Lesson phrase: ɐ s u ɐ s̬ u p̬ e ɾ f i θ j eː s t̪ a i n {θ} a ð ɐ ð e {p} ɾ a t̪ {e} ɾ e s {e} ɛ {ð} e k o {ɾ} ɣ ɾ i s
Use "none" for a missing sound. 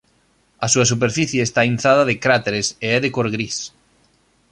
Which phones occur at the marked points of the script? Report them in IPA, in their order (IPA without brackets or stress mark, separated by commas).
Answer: θ, k, e, e, ð, ɾ